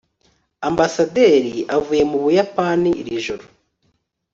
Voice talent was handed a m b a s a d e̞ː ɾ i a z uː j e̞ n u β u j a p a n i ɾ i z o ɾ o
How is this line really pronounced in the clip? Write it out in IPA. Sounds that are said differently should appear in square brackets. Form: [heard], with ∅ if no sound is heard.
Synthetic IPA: a m b a s a d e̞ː ɾ i a [v] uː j e̞ [m] u β u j a p a n i ɾ i [ʒ] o ɾ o